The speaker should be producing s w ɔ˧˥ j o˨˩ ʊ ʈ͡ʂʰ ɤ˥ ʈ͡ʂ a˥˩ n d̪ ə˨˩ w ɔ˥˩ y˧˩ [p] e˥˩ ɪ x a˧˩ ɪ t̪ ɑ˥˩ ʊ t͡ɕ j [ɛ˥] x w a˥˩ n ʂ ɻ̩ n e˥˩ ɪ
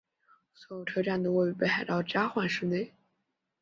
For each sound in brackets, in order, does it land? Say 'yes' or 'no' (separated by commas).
yes, no